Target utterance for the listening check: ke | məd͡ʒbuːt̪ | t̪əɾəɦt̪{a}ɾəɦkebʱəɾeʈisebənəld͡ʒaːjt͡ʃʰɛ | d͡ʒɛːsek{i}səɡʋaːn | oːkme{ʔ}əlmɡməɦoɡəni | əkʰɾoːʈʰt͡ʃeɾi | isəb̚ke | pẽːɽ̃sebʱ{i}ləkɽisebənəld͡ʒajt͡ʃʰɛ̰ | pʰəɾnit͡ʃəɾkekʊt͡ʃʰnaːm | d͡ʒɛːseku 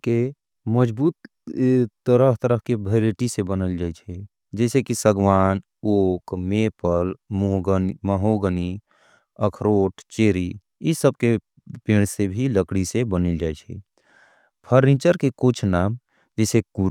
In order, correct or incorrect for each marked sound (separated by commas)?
incorrect, correct, incorrect, correct